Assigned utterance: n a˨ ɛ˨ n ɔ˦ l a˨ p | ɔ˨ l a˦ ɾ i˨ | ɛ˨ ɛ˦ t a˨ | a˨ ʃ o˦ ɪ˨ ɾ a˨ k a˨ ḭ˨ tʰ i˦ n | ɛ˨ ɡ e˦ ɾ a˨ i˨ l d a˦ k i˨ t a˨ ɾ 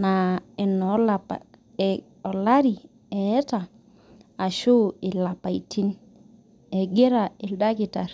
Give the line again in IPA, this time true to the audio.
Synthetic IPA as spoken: n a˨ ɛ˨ n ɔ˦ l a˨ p | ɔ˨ l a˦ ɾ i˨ | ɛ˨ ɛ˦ t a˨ | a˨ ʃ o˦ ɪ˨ l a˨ p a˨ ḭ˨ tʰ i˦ n | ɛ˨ ɡ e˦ ɾ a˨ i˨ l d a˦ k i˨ t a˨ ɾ